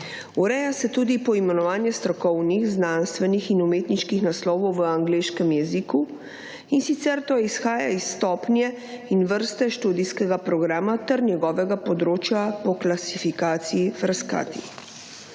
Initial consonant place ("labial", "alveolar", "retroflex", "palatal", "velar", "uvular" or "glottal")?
alveolar